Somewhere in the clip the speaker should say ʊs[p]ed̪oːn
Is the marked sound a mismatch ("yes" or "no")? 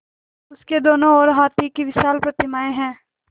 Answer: yes